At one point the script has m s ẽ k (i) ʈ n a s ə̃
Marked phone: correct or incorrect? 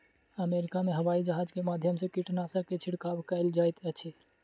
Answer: correct